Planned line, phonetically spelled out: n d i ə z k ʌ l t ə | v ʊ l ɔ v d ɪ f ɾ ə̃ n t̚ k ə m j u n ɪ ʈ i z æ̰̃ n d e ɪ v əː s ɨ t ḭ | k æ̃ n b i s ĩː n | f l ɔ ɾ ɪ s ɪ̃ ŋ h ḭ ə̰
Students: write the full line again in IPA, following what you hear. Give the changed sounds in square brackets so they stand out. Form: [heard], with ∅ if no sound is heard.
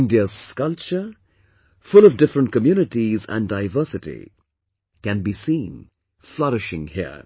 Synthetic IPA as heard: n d i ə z k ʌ l [t͡ʃ] ə | [f] ʊ l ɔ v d ɪ f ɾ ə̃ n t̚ k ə m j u n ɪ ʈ i z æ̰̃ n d [a] ɪ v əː s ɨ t ḭ | k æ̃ n b i s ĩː n | f l [ʌ] ɾ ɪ [ʃ] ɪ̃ ŋ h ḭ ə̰